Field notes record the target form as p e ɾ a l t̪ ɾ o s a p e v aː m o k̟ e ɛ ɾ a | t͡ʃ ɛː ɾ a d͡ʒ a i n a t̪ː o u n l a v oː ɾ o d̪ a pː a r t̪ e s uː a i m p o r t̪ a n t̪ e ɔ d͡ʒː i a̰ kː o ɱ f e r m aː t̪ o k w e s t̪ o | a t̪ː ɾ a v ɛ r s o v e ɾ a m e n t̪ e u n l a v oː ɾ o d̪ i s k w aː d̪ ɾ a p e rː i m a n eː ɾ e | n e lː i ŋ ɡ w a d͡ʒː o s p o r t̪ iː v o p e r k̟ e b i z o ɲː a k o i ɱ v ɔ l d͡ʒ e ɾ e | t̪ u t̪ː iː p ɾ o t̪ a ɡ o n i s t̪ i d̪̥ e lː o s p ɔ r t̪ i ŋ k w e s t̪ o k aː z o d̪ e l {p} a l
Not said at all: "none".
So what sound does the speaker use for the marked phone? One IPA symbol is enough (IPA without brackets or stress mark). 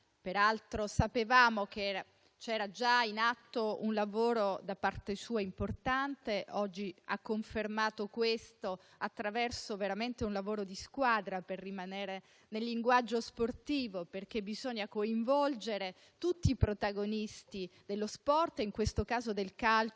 k